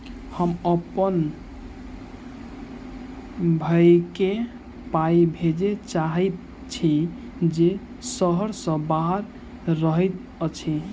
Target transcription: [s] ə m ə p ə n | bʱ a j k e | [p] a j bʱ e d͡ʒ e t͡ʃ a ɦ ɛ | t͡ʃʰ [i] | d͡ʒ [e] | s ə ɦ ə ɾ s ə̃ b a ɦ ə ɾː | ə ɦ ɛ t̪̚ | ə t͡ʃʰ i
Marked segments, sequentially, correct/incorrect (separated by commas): incorrect, correct, correct, correct